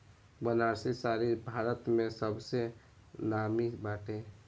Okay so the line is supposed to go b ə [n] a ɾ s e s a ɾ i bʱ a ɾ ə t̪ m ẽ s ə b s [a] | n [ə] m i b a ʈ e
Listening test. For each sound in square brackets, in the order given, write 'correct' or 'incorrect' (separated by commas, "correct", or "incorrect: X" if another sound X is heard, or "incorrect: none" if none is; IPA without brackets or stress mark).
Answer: correct, incorrect: e, incorrect: a